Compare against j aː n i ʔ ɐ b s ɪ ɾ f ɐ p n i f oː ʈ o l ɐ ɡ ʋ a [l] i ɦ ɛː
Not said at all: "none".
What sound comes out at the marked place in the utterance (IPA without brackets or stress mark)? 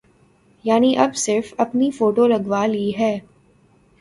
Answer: l